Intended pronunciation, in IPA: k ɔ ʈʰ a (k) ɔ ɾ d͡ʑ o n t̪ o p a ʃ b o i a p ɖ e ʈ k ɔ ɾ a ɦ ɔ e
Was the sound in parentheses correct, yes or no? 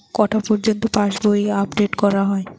no